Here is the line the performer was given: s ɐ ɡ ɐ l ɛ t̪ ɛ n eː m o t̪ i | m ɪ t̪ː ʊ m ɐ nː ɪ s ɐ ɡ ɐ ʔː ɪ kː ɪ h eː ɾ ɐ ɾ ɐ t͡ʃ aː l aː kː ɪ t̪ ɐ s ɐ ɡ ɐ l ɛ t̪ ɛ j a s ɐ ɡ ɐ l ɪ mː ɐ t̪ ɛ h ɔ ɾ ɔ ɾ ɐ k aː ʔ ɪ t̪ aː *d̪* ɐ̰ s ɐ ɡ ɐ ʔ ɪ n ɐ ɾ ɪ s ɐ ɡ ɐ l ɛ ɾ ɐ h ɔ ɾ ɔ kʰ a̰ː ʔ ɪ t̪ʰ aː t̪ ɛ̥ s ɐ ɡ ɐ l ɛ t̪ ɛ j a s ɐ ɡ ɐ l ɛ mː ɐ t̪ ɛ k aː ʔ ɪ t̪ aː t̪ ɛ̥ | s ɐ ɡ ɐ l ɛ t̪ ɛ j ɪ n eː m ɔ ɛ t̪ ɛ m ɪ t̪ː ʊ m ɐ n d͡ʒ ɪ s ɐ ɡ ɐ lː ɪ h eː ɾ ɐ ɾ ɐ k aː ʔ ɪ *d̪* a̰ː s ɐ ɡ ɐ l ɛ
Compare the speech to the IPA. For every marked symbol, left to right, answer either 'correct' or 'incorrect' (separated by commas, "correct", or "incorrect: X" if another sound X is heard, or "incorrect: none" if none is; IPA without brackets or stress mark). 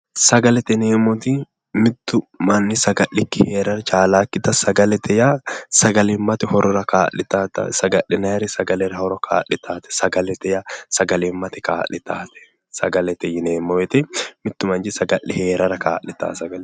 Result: incorrect: t̪, incorrect: t̪